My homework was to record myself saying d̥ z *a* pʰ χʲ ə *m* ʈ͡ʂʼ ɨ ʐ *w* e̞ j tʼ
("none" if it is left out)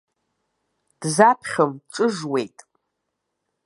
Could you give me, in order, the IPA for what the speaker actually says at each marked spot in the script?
a, m, w

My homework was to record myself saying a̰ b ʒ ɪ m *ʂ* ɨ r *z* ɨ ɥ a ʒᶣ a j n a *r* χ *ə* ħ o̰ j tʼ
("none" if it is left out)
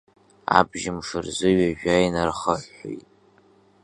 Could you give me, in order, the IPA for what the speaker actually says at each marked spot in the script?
ʂ, z, r, ə

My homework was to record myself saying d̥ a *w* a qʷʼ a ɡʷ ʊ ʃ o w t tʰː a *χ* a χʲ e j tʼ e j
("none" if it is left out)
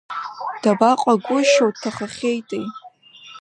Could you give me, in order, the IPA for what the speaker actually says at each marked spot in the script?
b, χ

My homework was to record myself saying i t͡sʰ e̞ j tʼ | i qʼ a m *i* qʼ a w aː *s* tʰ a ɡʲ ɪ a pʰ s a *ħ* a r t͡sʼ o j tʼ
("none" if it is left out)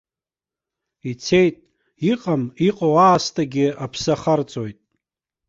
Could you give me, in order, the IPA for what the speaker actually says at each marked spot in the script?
i, s, χ

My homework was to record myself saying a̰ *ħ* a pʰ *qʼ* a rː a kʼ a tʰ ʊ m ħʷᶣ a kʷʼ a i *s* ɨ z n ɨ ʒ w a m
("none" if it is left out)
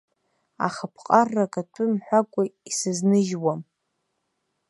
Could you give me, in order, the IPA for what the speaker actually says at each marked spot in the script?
χ, qʼ, s

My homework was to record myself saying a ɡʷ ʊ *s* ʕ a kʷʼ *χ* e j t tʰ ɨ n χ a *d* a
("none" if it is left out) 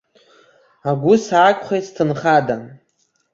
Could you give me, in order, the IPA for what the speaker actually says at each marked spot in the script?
s, χ, d

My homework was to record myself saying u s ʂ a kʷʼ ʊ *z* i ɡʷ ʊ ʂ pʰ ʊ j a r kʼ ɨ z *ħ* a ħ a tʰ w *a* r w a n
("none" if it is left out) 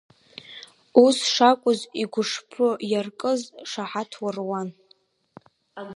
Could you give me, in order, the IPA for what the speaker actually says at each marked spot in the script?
z, ʂ, a

